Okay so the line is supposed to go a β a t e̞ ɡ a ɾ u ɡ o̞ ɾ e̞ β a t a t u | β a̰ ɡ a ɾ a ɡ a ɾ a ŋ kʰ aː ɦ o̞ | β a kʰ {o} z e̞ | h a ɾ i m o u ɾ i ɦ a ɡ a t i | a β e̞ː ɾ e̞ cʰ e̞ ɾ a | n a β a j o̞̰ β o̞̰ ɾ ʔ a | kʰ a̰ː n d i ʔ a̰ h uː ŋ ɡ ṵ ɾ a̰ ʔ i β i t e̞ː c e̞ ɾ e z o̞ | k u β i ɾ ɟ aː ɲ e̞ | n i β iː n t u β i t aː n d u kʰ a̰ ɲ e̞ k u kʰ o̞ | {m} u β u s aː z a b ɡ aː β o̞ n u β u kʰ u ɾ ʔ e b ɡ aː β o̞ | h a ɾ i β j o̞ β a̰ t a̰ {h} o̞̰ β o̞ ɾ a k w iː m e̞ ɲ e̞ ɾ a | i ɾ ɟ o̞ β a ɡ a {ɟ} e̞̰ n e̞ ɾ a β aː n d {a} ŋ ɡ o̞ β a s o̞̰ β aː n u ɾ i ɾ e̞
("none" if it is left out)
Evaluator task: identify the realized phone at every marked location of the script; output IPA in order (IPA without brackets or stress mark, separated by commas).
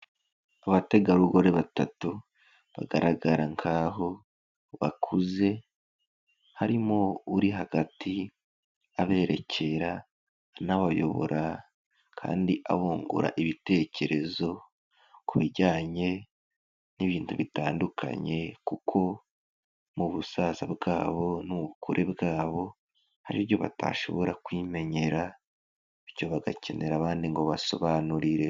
u, m, ʃ, c, i